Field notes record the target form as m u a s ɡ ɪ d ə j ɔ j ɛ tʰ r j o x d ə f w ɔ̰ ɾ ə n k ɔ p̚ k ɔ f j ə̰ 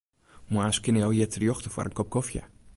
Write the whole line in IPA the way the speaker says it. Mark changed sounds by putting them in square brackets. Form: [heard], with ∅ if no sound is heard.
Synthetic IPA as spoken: m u a s [k] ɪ [n] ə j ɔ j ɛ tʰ r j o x [t] ə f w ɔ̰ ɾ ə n k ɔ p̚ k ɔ f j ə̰